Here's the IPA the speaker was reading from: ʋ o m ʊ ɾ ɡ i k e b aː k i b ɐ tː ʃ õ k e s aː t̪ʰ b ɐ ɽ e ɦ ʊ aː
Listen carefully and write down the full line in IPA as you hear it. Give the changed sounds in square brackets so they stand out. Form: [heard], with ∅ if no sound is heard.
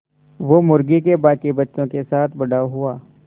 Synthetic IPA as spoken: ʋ o m ʊ ɾ ɡ i k e b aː k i b ɐ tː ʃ õ k e s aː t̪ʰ b ɐ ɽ [a] ɦ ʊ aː